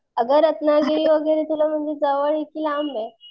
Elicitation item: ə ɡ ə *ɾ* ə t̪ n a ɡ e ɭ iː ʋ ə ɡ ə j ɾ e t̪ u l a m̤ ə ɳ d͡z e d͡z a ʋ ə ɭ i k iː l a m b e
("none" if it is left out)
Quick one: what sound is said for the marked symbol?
ɾ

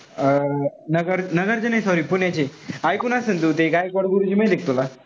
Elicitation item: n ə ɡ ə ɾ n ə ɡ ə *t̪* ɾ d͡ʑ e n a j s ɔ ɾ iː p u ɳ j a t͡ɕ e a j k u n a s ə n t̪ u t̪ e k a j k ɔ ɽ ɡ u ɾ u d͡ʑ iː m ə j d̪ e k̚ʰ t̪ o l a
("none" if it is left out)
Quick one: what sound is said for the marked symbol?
none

